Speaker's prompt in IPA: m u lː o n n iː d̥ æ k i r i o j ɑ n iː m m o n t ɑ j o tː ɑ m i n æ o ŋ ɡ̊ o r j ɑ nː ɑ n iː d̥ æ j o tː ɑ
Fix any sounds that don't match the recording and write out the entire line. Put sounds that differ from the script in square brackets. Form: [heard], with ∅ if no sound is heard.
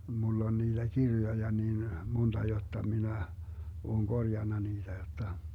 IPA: m u lː o n n iː d̥ æ k i r [j] o j ɑ n iː [n] m o n t ɑ j o tː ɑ m i n æ [oː] ŋ ɡ̊ o r j ɑ nː ɑ n iː d̥ æ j o tː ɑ